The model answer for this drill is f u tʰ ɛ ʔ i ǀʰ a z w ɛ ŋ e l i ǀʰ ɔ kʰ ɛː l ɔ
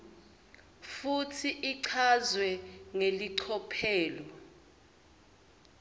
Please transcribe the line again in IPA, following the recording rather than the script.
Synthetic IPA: f u tʰ i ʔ i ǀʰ a z w ɛ ŋ e l i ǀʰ ɔ pʰ ɛː l ɔ